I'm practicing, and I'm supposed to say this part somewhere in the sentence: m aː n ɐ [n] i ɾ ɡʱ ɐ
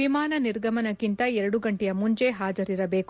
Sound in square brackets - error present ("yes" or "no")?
no